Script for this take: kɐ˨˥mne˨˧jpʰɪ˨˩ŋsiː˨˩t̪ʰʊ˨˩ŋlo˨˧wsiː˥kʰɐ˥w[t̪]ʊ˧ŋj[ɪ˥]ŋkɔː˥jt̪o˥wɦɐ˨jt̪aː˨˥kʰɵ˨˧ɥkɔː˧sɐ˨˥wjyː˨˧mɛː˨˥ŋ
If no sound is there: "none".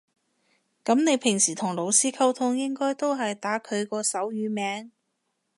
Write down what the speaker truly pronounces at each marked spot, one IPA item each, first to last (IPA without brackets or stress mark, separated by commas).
t̪ʰ, ɪ˥